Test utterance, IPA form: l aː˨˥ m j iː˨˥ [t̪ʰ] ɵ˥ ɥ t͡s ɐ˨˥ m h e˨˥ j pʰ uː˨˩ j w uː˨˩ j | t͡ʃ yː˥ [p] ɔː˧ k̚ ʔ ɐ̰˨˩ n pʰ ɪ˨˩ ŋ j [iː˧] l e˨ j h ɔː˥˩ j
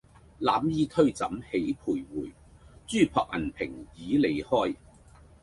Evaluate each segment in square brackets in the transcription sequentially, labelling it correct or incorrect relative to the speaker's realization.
correct, incorrect: pʰ, incorrect: iː˨˥

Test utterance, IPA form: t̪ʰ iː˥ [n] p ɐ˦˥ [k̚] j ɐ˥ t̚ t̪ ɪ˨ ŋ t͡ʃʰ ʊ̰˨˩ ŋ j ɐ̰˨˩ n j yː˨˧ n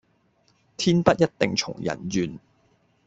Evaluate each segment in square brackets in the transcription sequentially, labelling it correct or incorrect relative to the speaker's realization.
correct, incorrect: t̚

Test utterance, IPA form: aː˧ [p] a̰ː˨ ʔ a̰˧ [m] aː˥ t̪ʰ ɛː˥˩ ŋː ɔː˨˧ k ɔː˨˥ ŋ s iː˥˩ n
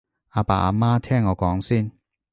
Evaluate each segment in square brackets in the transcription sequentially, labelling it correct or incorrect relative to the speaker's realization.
correct, correct

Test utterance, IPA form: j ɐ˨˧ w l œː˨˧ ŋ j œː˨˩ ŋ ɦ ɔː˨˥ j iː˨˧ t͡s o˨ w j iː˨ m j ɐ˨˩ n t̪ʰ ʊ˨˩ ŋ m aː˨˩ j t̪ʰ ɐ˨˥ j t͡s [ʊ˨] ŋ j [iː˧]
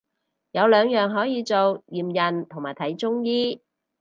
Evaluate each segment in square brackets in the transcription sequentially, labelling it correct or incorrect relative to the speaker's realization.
incorrect: ʊ˥, incorrect: iː˥

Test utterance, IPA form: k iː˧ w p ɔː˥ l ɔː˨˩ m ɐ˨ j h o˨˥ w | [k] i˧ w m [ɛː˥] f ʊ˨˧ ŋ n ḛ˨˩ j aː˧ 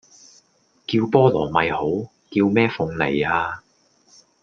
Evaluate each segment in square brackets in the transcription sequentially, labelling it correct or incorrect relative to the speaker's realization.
correct, correct

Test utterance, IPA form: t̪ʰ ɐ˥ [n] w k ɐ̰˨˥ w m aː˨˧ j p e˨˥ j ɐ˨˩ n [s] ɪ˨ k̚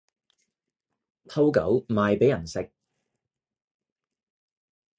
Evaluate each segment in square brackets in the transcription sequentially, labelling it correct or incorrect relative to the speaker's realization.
incorrect: none, correct

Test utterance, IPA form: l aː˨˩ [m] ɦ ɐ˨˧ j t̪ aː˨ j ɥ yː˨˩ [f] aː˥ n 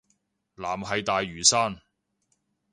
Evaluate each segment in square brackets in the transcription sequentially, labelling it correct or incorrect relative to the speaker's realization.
correct, incorrect: s

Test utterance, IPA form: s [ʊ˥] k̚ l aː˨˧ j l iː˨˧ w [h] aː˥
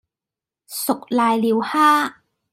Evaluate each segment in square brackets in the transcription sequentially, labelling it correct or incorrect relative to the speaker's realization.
incorrect: ʊ˨, correct

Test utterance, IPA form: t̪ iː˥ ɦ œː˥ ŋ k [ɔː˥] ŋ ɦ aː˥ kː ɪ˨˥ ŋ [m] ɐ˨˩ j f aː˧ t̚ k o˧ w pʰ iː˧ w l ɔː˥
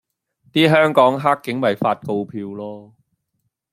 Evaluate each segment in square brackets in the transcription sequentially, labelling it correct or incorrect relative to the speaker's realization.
incorrect: ɔː˨˥, correct

